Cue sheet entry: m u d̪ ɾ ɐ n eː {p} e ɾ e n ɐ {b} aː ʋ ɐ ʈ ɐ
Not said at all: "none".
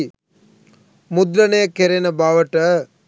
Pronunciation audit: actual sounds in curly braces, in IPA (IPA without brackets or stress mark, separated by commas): k, b